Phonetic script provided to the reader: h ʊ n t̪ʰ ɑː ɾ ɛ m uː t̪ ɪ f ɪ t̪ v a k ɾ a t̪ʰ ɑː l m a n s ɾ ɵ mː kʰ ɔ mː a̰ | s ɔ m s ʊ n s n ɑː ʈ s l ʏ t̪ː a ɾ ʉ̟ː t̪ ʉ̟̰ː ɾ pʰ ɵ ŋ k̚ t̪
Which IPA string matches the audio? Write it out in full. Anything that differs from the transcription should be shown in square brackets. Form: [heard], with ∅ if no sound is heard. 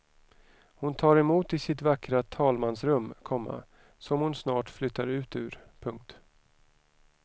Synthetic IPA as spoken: h ʊ n t̪ʰ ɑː ɾ ɛ m uː t̪ ɪ [s] ɪ t̪ v a k ɾ a t̪ʰ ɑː l m a n s ɾ ɵ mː kʰ ɔ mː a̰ | s ɔ m [h] ʊ n s n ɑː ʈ [f] l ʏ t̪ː a ɾ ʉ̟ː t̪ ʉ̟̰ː ɾ pʰ ɵ ŋ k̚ t̪

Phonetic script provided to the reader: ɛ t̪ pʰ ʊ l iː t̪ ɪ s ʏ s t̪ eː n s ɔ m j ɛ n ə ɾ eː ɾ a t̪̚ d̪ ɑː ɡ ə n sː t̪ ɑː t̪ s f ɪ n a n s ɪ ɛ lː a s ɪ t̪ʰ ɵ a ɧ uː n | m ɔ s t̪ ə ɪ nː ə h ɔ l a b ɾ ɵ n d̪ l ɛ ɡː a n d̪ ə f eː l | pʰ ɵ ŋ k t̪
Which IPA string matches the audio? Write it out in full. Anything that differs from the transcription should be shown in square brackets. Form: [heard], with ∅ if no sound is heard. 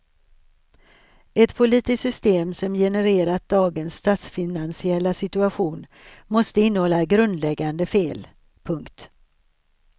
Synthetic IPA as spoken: ɛ t̪ pʰ ʊ l iː t̪ ɪ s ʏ s t̪ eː [m] s ɔ m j ɛ n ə ɾ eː ɾ a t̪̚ d̪ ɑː ɡ ə n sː t̪ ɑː t̪ s f ɪ n a n s ɪ ɛ lː a s ɪ [t̪] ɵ a ɧ uː n | m ɔ s t̪ ə ɪ nː ə h ɔ [lː] a [ɡ] ɾ ɵ n d̪ l ɛ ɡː a n d̪ ə f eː l | pʰ ɵ ŋ k t̪

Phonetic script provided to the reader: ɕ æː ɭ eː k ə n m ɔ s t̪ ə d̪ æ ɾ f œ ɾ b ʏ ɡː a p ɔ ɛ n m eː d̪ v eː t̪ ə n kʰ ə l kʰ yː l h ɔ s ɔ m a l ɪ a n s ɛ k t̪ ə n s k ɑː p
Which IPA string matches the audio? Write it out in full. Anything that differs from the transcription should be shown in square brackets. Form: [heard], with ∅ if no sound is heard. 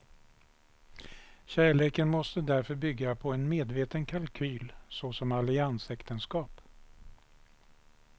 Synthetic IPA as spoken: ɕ æː ɭ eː k ə n m ɔ s t̪ ə d̪ æ ɾ f œ ɾ b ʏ ɡː a [pʰ] ɔ ɛ n m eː d̪ v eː t̪ ə n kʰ [a] l kʰ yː l [s] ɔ s ɔ m a l ɪ a n s ɛ k t̪ ə n s k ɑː p

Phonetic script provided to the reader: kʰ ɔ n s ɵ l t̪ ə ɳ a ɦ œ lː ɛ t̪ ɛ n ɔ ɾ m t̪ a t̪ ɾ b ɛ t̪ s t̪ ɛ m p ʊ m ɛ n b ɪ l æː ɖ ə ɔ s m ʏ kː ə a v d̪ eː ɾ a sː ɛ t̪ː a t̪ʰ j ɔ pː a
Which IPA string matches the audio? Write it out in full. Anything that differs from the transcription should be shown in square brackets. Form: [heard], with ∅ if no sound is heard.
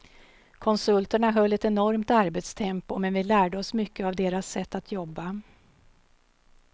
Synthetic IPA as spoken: kʰ ɔ n s ɵ l t̪ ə ɳ a ɦ œ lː ɛ t̪ ɛ n ɔ ɾ m t̪ a [∅] ɾ b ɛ t̪ s [t̪ʰ] ɛ m p ʊ m ɛ n [v] ɪ l æː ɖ ə ɔ s m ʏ kː ə a v d̪ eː ɾ a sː ɛ t̪ː a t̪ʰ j ɔ [bː] a

